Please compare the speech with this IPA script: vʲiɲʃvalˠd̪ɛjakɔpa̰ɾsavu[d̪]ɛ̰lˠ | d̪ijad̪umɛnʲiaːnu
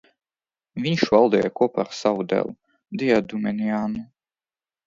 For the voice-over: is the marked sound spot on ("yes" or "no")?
yes